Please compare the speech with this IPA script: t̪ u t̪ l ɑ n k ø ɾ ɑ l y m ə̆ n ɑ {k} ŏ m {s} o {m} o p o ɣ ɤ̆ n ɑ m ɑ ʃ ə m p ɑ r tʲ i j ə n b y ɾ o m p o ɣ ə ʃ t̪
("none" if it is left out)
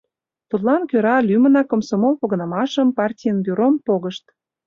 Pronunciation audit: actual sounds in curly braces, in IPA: k, s, m

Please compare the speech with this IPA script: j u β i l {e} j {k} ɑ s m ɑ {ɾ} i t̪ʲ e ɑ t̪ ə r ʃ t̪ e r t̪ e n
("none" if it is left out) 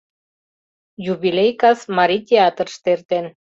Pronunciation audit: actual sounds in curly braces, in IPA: e, k, ɾ

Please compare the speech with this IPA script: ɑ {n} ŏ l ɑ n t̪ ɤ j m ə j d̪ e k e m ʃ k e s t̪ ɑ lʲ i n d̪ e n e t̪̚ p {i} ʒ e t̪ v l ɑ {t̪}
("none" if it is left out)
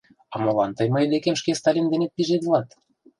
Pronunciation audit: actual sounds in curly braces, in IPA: m, i, t̪

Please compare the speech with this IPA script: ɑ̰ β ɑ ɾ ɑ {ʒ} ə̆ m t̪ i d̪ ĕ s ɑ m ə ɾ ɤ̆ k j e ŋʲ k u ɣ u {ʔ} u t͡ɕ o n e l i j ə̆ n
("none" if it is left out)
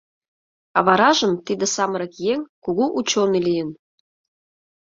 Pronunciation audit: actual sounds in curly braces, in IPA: ʒ, ʔ

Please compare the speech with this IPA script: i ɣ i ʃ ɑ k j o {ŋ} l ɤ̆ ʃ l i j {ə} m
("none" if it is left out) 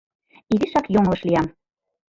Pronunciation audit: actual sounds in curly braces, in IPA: ŋ, ɑ

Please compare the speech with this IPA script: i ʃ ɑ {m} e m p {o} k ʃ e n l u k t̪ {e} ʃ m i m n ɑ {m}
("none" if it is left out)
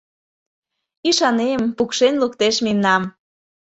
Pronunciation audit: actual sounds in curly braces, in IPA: n, u, e, m

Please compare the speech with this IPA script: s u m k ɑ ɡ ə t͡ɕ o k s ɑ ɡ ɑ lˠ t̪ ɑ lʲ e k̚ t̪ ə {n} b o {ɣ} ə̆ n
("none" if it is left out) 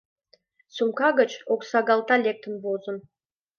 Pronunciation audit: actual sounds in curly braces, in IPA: n, z

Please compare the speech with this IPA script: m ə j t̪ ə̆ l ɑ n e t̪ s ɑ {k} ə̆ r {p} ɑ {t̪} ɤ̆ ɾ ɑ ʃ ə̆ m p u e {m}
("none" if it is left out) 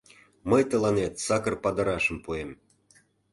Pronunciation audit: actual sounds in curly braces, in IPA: k, p, d̪, m

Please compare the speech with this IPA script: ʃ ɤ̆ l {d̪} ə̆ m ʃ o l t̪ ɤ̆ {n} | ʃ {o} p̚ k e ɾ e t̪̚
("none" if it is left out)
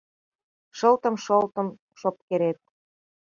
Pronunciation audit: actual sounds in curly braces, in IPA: t̪, m, o

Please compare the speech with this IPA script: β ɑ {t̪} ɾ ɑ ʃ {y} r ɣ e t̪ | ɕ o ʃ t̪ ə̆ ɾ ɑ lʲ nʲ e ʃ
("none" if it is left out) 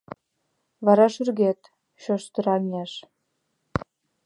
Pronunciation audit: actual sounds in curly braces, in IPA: none, y

